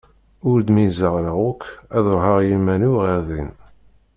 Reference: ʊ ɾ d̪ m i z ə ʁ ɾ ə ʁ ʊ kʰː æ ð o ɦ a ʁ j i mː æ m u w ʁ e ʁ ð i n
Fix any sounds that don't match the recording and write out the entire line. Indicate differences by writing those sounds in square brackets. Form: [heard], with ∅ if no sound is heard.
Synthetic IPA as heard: ʊ ɾ d̪ m i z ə ʁ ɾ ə ʁ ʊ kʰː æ ð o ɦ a ʁ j i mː æ [n] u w ʁ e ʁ ð i n

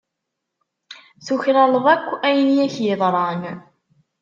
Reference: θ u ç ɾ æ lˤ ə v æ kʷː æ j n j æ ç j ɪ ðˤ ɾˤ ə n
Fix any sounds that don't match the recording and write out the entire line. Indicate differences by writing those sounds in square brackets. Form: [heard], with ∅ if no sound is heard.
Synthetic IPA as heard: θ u ç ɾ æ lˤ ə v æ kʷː æ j n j æ ç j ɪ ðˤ ɾˤ [ɑ] n

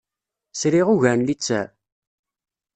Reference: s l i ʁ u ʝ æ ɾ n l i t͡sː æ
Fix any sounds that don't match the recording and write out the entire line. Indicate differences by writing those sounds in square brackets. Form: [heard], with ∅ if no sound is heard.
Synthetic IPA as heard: s [ɾ] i ʁ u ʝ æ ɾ n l i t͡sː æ

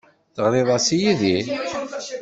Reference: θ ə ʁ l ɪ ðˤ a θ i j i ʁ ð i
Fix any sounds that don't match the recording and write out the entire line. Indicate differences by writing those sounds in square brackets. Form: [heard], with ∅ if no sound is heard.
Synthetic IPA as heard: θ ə ʁ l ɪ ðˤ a [s] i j i [∅] ð i

